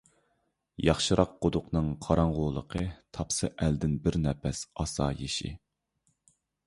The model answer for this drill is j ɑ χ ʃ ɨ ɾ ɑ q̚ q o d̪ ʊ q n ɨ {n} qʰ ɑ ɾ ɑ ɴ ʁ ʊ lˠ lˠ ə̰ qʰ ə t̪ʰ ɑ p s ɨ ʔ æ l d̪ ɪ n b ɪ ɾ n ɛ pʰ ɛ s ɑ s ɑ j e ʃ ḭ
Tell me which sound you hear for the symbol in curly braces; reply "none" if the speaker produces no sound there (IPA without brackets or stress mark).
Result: ŋ